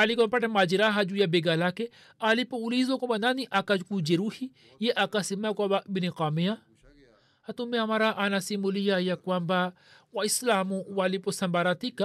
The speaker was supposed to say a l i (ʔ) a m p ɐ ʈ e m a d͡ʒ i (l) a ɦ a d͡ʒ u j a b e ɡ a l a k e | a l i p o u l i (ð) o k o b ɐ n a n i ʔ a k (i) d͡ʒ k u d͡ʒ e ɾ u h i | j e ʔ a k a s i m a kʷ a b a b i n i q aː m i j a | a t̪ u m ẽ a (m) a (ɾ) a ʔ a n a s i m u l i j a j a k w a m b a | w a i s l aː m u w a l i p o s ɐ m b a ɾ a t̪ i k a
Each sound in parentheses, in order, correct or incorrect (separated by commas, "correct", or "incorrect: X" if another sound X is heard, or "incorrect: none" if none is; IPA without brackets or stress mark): incorrect: k, incorrect: ɾ, incorrect: z, incorrect: a, correct, correct